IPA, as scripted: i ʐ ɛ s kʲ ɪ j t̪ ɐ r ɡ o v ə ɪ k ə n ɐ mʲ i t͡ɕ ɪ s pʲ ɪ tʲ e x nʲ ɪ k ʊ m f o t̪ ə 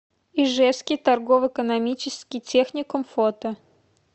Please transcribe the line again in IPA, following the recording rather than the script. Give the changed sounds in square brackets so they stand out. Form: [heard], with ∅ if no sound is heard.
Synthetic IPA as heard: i ʐ ɛ s kʲ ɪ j t̪ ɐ r ɡ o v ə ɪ k ə n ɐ mʲ i t͡ɕ ɪ s [kʲ] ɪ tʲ e x nʲ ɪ k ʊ m f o t̪ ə